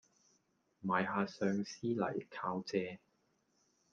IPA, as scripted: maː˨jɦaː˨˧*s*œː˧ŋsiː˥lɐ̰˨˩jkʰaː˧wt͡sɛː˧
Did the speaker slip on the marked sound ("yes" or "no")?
no